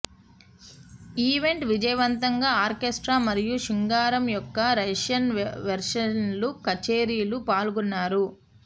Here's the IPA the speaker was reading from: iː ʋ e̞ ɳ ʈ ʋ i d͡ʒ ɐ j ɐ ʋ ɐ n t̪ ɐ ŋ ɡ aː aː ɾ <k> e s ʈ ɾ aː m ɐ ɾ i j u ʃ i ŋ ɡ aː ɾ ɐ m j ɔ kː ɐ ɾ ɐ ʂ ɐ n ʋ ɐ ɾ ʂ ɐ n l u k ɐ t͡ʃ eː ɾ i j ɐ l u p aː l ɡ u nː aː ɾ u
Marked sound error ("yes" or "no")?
no